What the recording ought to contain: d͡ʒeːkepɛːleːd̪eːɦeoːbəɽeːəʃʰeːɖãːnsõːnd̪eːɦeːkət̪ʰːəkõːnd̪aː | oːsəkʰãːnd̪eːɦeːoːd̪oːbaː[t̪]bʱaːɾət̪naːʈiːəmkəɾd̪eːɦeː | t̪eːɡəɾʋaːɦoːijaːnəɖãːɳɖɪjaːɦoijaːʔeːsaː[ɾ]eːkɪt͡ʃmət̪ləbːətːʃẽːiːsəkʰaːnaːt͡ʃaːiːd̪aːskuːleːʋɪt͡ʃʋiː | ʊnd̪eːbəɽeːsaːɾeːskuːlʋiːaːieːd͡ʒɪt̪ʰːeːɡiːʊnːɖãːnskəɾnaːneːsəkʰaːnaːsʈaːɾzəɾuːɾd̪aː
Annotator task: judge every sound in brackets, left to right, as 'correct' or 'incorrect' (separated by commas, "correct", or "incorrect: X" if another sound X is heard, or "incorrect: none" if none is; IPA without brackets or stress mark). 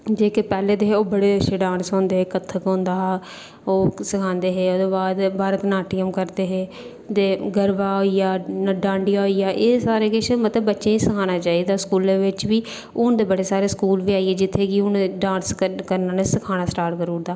incorrect: d̪, correct